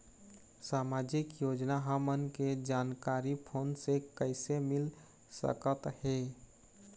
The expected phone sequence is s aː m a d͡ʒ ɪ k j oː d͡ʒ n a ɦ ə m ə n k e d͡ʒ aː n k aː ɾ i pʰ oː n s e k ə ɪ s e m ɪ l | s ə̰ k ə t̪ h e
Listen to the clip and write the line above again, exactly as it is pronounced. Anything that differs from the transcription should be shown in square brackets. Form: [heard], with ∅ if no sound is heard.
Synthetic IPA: s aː m a d͡ʒ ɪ k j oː d͡ʒ n a ɦ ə m ə n k e d͡ʒ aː n k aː ɾ i pʰ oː n s e k ə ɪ s e m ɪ l | s ə̰ k ə t̪ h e